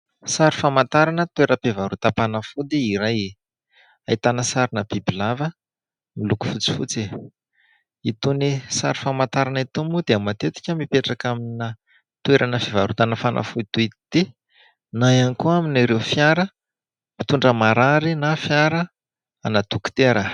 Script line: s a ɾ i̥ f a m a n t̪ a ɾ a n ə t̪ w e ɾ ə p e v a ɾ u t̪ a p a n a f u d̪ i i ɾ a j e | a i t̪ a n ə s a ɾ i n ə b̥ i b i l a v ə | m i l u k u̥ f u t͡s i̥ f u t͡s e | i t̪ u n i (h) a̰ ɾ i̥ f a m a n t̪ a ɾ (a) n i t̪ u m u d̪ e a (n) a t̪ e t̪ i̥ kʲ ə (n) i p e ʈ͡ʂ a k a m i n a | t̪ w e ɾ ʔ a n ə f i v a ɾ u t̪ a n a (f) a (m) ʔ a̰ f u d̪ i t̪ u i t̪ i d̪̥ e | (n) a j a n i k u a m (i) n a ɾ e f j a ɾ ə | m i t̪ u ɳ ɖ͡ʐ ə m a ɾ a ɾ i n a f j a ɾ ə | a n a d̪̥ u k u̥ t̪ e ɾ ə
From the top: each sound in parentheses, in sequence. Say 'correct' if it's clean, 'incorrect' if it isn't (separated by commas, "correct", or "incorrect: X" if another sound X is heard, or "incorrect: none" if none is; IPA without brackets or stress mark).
incorrect: s, correct, incorrect: m, incorrect: m, correct, incorrect: n, correct, correct